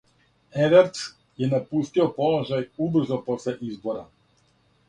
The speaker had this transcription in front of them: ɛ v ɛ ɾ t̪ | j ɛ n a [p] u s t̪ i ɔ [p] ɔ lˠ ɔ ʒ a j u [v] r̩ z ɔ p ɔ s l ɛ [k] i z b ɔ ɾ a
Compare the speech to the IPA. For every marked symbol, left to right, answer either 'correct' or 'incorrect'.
correct, correct, incorrect: b, incorrect: ʔ

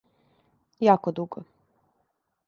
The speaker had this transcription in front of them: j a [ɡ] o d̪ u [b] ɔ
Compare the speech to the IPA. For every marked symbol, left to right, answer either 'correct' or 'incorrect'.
incorrect: k, incorrect: ɡ

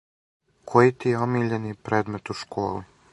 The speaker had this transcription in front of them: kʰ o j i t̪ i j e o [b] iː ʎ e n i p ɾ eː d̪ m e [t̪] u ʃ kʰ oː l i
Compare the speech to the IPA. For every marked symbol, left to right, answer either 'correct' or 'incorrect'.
incorrect: m, correct

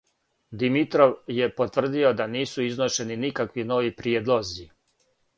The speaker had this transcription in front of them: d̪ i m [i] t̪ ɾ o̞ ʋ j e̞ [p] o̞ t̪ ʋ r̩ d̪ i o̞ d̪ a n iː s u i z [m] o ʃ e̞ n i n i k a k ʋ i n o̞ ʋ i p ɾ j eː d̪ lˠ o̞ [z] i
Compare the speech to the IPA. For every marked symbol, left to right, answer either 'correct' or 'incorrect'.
correct, correct, incorrect: n, correct

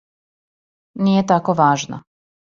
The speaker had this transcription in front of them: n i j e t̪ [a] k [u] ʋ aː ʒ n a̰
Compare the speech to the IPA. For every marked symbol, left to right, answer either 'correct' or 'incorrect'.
correct, incorrect: o

